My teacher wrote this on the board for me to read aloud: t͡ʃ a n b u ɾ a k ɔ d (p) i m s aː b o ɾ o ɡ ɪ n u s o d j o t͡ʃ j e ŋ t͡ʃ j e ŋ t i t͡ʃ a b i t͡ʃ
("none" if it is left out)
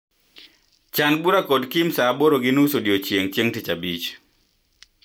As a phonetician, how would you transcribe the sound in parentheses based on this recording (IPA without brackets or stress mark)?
k